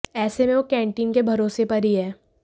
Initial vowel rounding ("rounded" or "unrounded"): unrounded